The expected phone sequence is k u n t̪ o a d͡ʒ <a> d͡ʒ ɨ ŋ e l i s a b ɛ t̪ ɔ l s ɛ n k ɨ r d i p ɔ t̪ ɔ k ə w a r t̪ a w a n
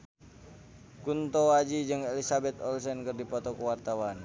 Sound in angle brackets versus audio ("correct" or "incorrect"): incorrect